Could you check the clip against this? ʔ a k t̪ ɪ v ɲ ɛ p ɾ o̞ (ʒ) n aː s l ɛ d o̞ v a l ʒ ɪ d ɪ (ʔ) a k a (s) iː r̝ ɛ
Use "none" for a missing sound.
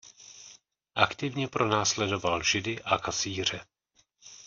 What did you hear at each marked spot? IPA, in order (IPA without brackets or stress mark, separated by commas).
none, ʔ, s